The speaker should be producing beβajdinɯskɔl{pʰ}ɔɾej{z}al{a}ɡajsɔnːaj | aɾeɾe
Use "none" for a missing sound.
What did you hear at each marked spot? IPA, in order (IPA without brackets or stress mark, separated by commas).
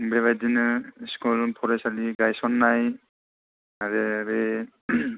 pʰ, s, i